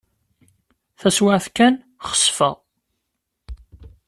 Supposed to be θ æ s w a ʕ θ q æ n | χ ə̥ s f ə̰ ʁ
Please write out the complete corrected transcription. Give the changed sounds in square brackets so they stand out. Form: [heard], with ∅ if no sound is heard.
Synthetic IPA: θ æ s w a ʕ θ [k] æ n | χ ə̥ s f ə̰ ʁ